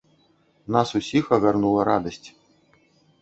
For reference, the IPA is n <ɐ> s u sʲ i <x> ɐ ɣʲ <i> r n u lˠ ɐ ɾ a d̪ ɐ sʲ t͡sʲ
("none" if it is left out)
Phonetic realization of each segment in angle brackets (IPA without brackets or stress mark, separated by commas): a, x, a